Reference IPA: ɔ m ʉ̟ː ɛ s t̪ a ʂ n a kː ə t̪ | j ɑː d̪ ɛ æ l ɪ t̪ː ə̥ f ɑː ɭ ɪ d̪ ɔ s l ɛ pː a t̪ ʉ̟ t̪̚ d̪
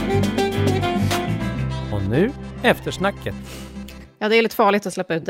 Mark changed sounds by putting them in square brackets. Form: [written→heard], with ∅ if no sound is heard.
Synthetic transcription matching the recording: ɔ [m→n] ʉ̟ː ɛ [s→f] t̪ [a→ə] ʂ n a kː ə t̪ | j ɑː d̪ ɛ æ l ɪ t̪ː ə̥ f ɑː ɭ ɪ [d̪→t̪] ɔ s l ɛ pː a [t̪→∅] ʉ̟ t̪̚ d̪